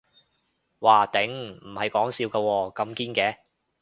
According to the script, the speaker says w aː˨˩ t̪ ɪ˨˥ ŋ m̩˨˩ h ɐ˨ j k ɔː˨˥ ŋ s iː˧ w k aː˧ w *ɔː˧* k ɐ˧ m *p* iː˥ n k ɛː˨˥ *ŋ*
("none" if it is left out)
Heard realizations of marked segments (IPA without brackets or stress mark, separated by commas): ɔː˧, k, none